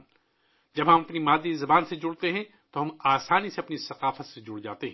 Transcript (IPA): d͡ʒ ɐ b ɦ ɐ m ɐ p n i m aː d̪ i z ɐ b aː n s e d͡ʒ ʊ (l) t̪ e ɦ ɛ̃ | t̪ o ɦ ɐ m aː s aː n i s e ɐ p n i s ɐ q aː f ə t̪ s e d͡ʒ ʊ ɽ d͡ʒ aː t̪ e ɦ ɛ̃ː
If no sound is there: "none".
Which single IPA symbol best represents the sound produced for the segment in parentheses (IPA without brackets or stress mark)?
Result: ɽ